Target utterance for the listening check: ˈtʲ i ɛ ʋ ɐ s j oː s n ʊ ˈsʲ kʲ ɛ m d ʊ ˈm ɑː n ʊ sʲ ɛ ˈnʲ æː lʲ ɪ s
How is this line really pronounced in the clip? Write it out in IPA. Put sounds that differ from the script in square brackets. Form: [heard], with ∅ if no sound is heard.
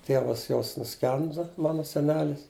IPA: ˈtʲ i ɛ ʋ ɐ s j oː s n ʊ ˈsʲ kʲ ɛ [n] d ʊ ˈm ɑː n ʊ sʲ ɛ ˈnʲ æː lʲ ɪ s

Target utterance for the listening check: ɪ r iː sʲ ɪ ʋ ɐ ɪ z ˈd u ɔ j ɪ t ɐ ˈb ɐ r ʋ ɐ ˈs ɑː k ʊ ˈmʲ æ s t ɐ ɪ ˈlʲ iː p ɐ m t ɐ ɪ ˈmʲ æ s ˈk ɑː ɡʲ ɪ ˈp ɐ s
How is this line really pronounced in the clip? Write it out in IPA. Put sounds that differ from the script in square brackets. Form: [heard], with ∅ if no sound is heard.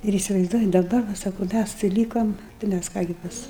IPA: ɪ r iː sʲ ɪ ʋ ɐ ɪ z ˈd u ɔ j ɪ [d] ɐ ˈb ɐ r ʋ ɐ ˈs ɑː k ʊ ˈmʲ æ s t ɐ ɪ ˈlʲ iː [k] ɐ m t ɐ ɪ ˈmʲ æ s ˈk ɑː ɡʲ ɪ ˈp ɐ s

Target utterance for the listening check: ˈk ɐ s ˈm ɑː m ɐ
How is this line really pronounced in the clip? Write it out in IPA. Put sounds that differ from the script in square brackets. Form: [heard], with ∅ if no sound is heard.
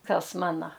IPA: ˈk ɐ s ˈm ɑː [n] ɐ

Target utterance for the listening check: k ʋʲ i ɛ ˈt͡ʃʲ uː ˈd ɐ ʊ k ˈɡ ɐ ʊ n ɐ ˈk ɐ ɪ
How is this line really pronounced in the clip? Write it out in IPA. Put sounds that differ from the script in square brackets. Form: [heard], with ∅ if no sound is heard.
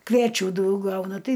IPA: k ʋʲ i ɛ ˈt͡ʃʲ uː ˈd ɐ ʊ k ˈɡ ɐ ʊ n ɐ [ˈt] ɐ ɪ

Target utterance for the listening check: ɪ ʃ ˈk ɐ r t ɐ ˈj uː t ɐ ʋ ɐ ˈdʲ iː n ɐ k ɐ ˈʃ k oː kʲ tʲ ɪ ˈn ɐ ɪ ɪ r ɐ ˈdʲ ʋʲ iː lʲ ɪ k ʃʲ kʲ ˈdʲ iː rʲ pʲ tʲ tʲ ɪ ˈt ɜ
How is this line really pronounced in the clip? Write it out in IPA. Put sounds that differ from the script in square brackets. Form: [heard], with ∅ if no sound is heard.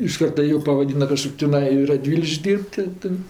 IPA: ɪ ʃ ˈk ɐ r t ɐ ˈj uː [p] ɐ ʋ ɐ ˈdʲ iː n ɐ k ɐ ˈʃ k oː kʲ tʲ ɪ ˈn ɐ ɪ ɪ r ɐ ˈdʲ ʋʲ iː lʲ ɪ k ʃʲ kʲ ˈdʲ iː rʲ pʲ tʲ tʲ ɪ ˈt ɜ

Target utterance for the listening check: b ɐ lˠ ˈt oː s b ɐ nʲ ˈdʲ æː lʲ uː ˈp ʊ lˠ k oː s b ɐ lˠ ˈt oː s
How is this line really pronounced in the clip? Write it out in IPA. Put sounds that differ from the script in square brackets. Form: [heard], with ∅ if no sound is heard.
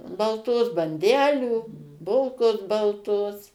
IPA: b ɐ lˠ ˈt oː s b ɐ nʲ ˈdʲ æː lʲ uː [ˈb] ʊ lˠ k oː s b ɐ lˠ ˈt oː s

